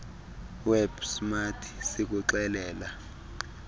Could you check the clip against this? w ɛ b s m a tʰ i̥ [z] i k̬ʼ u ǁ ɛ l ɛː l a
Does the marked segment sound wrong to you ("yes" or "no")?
yes